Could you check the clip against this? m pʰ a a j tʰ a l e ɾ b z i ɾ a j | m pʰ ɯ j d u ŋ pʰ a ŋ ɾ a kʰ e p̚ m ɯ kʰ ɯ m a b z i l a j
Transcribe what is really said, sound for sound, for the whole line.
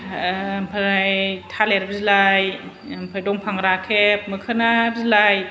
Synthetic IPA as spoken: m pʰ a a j tʰ a l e ɾ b z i l a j | m pʰ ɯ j d ɔ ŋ pʰ a ŋ ɾ a kʰ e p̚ m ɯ kʰ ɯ n a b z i l a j